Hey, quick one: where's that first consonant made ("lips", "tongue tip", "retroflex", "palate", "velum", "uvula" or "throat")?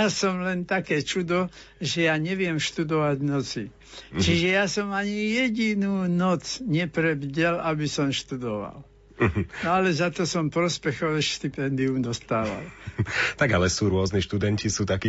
tongue tip